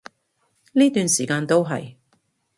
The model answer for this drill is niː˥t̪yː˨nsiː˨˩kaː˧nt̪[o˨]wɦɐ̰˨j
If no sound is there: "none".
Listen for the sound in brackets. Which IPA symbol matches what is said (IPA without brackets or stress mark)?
o˥